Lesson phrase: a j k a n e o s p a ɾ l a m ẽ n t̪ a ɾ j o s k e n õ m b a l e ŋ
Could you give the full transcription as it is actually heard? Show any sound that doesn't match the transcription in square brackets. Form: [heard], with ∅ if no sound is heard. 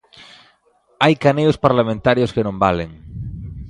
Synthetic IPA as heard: a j k a n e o s p a ɾ l a m ẽ n t̪ a ɾ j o s k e n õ m b a l e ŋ